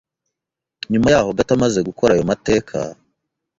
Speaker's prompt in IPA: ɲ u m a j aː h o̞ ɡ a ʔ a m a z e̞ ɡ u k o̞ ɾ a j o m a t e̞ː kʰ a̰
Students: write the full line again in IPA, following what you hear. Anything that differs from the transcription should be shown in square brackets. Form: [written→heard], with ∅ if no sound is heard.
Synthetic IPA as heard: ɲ u m a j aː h o̞ ɡ a [ʔ→t] a m a z e̞ ɡ u k o̞ ɾ a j o m a t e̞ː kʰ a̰